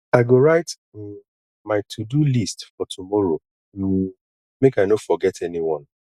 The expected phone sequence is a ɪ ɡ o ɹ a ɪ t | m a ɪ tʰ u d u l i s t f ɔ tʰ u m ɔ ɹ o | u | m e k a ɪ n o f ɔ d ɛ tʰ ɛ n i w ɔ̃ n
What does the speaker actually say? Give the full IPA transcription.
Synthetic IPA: a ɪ ɡ o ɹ a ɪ t | m a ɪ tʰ u d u l i s t f ɔ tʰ u m ɔ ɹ o | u | m e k a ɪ n o f ɔ ɡ ɛ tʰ ɛ n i w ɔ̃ n